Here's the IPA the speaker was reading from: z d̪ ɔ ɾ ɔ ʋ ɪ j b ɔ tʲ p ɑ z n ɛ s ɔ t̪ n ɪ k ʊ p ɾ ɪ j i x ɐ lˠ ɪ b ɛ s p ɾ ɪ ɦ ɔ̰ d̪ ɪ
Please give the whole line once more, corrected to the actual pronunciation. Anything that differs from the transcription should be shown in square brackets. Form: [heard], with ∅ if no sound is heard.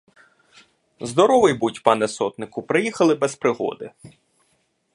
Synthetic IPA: z d̪ ɔ ɾ ɔ ʋ ɪ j b [u] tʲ p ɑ [∅] n ɛ s ɔ t̪ n ɪ k ʊ p ɾ ɪ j i x ɐ lˠ ɪ b ɛ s p ɾ ɪ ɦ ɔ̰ d̪ ɪ